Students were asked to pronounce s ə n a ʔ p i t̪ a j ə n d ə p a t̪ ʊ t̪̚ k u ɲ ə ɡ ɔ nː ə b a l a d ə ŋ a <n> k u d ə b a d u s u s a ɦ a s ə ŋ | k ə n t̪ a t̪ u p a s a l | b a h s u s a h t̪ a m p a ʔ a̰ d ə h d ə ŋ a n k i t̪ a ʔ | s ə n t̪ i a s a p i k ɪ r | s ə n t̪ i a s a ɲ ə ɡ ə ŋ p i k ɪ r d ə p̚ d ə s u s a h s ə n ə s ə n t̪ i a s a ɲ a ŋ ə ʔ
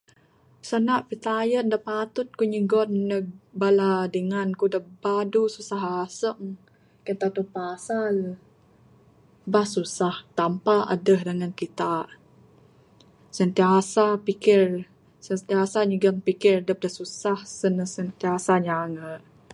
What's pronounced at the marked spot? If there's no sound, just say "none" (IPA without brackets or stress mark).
n